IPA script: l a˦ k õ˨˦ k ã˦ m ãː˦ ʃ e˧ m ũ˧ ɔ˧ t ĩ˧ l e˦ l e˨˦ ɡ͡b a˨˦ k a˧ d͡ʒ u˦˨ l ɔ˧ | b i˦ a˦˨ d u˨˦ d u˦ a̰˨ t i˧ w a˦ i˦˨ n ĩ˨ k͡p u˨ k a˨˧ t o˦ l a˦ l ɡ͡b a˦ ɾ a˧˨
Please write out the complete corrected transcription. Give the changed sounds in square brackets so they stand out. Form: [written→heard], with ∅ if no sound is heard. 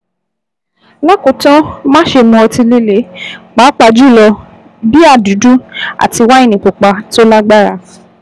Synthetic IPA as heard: l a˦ k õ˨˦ [k→t] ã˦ m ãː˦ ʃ e˧ m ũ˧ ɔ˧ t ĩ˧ l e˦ l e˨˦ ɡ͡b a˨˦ [k→k͡p] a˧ d͡ʒ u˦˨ l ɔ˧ | b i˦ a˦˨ d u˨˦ d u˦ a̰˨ t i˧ w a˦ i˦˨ n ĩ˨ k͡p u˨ [k→k͡p] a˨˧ t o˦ l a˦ [l→∅] ɡ͡b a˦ ɾ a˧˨

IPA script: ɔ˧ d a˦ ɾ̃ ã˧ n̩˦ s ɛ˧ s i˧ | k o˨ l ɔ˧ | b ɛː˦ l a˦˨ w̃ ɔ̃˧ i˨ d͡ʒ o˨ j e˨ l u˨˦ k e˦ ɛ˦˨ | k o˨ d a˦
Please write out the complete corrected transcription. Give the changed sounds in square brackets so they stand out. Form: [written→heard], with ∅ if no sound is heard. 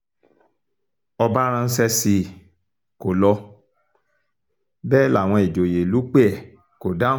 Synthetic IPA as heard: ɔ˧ [d→b] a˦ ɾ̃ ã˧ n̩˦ s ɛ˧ s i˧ | k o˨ l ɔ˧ | b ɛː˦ l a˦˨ w̃ ɔ̃˧ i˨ d͡ʒ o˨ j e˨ l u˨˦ [k→k͡p] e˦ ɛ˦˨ | k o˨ d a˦

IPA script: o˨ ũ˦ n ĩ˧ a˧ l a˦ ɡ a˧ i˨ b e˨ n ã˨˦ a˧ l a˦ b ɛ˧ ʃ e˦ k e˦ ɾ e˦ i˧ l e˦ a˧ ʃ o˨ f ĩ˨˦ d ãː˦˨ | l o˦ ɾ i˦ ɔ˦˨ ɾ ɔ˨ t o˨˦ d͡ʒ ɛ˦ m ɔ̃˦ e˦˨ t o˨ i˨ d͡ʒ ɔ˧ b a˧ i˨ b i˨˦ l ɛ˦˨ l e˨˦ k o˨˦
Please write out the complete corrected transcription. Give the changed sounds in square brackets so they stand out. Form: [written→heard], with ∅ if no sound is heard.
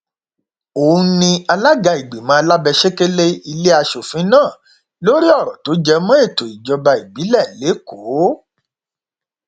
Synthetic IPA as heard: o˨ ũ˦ n ĩ˧ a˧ l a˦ ɡ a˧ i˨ [b→ɡ͡b] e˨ [n→m] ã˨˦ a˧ l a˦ b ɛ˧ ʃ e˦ k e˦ [ɾ→l] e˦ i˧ l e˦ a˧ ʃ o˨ f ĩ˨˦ [d→n] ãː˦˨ | l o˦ ɾ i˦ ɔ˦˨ ɾ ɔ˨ t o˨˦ d͡ʒ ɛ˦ m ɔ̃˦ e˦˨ t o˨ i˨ d͡ʒ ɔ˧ b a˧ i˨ b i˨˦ l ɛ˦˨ l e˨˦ k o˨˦

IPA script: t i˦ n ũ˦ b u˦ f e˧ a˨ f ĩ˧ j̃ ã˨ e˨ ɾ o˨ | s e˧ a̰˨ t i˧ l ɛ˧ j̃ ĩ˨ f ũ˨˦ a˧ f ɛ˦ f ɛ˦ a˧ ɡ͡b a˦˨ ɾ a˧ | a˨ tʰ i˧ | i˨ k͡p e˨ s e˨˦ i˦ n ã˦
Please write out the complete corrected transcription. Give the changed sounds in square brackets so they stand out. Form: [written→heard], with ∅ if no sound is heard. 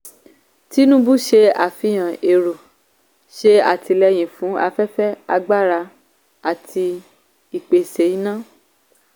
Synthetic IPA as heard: t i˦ n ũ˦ b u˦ [f→ʃ] e˧ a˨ f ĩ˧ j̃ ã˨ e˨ ɾ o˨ | [s→ʃ] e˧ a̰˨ t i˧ l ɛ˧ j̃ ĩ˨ f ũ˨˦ a˧ f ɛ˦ f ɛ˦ a˧ ɡ͡b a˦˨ ɾ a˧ | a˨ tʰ i˧ | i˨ k͡p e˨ s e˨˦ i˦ n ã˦

